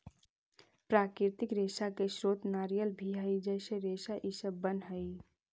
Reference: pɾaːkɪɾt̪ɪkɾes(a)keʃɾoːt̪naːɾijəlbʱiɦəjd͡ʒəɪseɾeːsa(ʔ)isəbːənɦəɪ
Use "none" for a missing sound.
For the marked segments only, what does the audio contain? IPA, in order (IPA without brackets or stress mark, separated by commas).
a, ʔ